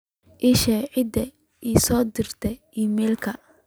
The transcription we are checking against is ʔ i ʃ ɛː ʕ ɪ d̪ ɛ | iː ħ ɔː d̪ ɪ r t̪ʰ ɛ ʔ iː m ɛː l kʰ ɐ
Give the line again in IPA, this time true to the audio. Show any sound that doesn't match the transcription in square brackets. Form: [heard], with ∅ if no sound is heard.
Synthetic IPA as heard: ʔ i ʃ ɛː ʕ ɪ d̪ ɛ | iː [s] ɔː d̪ ɪ r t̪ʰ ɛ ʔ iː m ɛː l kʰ ɐ